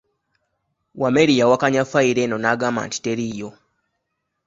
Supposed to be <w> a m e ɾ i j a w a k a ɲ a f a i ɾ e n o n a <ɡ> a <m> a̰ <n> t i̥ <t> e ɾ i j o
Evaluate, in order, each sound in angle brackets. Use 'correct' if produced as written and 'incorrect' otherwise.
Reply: correct, correct, correct, correct, correct

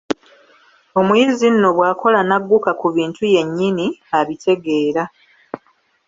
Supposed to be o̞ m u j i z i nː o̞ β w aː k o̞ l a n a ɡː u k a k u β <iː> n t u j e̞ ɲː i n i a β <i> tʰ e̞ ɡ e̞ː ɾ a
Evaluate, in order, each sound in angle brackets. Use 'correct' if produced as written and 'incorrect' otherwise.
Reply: correct, correct

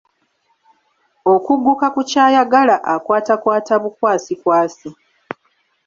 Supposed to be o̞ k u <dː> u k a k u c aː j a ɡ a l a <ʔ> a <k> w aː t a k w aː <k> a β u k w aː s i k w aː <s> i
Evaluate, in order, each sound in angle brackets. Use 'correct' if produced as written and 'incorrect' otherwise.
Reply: incorrect: ɡː, correct, correct, incorrect: t, correct

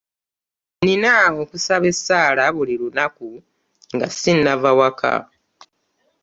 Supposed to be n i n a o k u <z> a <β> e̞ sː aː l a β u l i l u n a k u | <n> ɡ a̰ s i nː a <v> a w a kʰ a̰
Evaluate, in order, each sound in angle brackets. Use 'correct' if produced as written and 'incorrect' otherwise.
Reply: incorrect: s, correct, incorrect: ŋ, correct

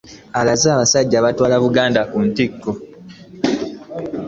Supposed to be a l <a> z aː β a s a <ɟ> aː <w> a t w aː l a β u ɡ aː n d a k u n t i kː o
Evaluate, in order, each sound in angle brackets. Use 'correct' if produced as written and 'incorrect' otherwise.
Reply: correct, incorrect: ɟː, incorrect: β

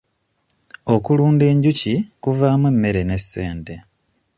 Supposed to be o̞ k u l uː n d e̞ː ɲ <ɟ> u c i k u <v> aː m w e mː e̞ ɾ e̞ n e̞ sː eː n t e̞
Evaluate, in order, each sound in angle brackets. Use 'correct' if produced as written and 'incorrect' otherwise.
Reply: correct, correct

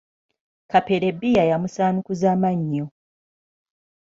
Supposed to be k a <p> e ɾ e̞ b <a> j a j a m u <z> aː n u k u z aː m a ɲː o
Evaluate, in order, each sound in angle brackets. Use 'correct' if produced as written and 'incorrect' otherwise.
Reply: correct, incorrect: i, incorrect: s

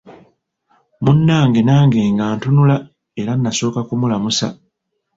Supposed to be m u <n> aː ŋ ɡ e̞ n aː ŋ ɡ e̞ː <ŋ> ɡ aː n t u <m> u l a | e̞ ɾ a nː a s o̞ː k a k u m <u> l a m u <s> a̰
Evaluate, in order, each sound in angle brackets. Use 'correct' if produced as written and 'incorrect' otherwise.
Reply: incorrect: nː, correct, incorrect: n, correct, correct

